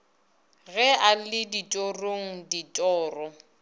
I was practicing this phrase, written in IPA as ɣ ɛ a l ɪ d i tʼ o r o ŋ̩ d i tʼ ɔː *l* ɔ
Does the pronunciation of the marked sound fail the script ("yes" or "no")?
yes